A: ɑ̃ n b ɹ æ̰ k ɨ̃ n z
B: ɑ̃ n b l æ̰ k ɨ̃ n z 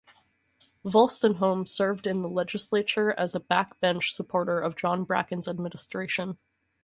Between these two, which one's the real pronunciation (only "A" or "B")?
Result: A